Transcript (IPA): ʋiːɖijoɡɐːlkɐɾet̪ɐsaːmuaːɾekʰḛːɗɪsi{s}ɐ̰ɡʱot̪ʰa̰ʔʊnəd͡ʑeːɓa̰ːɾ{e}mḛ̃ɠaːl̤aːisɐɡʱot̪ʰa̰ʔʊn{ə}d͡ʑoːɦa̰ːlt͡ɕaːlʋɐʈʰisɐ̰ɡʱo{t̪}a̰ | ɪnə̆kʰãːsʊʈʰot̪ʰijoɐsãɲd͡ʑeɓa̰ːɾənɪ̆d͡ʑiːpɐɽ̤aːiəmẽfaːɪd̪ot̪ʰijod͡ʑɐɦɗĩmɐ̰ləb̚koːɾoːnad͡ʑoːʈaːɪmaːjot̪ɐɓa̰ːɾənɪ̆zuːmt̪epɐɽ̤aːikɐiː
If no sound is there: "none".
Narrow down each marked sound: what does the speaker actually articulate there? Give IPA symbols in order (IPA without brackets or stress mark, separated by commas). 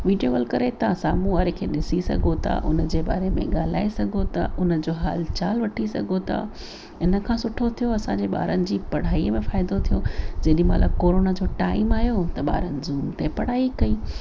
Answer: s, e, ə, t̪ʰ